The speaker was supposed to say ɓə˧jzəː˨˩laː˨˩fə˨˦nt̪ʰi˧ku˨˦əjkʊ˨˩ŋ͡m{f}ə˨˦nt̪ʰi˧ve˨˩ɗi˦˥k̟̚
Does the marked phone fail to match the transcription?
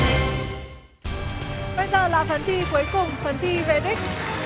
no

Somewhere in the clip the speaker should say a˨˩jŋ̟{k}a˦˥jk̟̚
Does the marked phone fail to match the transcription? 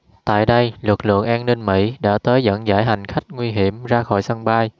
yes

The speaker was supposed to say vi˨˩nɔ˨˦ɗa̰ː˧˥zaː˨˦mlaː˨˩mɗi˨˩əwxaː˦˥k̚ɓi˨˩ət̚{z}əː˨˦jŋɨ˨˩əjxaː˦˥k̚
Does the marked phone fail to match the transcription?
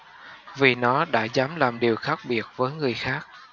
yes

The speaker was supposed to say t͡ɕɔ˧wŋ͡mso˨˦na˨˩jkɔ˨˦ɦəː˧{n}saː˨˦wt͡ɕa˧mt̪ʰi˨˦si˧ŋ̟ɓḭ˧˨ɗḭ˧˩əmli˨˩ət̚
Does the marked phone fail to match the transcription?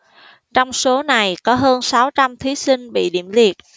no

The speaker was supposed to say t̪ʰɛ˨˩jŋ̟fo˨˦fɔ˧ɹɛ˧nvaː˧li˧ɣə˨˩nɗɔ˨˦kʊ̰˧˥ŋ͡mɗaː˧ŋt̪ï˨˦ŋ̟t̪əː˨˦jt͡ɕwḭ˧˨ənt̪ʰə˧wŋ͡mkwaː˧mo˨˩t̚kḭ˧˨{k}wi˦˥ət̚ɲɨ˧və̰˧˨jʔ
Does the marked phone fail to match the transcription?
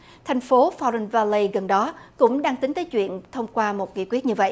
no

